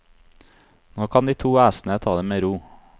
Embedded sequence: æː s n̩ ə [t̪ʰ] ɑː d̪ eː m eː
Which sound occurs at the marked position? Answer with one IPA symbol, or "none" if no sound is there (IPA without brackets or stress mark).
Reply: t̪ʰ